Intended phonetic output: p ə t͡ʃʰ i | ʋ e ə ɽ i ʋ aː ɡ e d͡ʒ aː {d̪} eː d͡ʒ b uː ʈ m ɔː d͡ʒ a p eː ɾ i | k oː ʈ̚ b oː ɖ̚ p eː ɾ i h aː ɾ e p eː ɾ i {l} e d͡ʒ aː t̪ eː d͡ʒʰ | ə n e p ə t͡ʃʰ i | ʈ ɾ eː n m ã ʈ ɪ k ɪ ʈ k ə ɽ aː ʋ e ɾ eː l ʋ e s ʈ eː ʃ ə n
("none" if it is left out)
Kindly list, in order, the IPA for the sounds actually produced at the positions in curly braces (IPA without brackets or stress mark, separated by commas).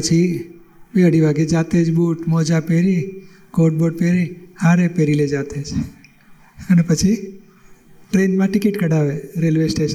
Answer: t̪, l